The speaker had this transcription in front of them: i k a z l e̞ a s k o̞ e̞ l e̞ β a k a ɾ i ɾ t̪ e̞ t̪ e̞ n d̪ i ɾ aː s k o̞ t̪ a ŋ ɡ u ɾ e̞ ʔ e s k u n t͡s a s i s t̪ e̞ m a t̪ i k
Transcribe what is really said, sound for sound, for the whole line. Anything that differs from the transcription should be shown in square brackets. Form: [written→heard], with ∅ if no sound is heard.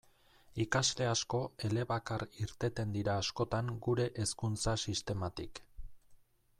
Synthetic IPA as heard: i k a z l e̞ a s k o̞ e̞ l e̞ β a k a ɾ i ɾ t̪ e̞ t̪ e̞ n d̪ i ɾ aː s k o̞ t̪ a ŋ ɡ u ɾ e̞ ʔ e s k u n t͡s a s i s t̪ e̞ m a t̪ i k